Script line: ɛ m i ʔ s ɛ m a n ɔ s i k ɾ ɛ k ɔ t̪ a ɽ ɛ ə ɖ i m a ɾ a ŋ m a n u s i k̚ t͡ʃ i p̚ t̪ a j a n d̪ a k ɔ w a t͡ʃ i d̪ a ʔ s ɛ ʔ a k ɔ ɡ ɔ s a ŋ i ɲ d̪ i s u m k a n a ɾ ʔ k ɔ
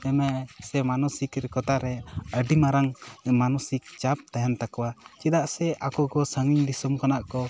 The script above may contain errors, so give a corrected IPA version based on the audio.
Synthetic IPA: ɛ m ɛ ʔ s ɛ m a n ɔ s i k ɾ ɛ k ɔ t̪ a ɾ ɛ ə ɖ i m a ɾ a ŋ m a n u s i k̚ t͡ʃ a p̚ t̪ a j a n t̪ a k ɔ w a t͡ʃ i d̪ a ʔ s ɛ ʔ a k ɔ ɡ ɔ s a ŋ i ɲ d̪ i s u m k a n a ʔ k ɔ